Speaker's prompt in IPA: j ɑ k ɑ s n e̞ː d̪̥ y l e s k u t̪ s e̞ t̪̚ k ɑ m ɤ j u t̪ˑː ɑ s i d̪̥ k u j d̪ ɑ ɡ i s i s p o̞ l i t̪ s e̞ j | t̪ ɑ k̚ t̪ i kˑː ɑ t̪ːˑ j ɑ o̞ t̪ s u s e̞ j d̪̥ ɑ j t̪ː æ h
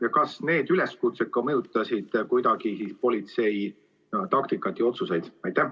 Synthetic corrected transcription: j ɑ k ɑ s n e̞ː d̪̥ y l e s k u t̪ s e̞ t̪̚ k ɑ m ɤ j u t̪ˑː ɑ s i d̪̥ k u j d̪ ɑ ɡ i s i s p o̞ l i t̪ s e̞ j | t̪ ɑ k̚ t̪ i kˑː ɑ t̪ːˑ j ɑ o̞ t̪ s u s e̞ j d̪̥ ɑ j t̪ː æ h

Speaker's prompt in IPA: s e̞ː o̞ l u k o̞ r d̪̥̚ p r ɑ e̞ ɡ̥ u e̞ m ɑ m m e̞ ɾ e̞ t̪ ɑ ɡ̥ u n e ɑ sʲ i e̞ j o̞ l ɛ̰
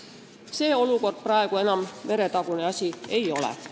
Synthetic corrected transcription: s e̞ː o̞ l u k o̞ r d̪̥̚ p r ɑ e̞ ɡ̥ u e̞ n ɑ m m e̞ ɾ e̞ t̪ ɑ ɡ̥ u n e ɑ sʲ i e̞ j o̞ l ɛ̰

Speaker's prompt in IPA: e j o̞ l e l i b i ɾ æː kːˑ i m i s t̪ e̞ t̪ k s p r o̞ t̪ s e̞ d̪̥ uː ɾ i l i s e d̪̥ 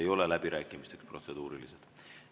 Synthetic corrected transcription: e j o̞ l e l æ b i ɾ æː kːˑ i m i s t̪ e̞ k s p r o̞ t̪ s e̞ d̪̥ uː ɾ i l i s e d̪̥

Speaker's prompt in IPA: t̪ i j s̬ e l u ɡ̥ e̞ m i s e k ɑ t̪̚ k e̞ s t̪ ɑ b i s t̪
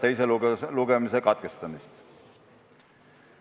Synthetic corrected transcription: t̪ e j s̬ e l u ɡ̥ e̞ m i s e k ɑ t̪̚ k e̞ s t̪ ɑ m i s t̪

